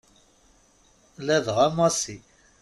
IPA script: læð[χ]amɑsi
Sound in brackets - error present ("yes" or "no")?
yes